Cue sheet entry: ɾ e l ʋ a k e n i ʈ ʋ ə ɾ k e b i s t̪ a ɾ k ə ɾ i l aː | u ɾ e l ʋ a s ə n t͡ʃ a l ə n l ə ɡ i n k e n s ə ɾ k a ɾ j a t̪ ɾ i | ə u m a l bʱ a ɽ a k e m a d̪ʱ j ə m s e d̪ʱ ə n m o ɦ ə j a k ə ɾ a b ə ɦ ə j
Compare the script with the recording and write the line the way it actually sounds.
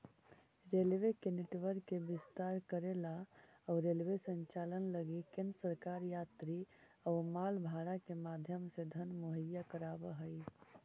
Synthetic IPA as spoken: ɾ e l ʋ e k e n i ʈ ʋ ə ɾ k e b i s t̪ a ɾ k ə ɾ e l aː | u ɾ e l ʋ e s ə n t͡ʃ a l ə n l ə ɡ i k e n s ə ɾ k a ɾ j a t̪ ɾ i | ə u m a l bʱ a ɽ a k e m a d̪ʱ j ə m s e d̪ʱ ə n m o ɦ ə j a k ə ɾ a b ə ɦ ə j